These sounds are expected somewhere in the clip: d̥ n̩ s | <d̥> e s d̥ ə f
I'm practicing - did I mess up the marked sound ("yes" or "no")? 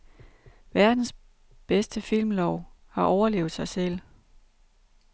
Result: yes